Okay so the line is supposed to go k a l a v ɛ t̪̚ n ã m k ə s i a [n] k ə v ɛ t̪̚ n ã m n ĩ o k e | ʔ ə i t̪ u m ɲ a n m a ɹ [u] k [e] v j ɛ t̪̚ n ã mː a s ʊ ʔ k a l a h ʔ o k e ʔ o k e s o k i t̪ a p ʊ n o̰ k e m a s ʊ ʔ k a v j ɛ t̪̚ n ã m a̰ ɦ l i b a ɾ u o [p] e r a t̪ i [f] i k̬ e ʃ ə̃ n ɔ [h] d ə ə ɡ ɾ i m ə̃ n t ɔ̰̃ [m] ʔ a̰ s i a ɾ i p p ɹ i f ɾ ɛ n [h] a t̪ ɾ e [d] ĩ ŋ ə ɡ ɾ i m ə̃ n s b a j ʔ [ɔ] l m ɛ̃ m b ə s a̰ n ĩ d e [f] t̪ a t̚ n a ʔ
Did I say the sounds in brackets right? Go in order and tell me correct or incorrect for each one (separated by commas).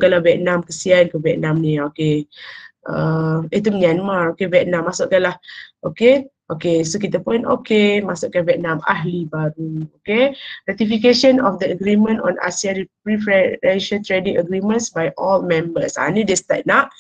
correct, incorrect, correct, incorrect, correct, incorrect, incorrect, incorrect, correct, correct, incorrect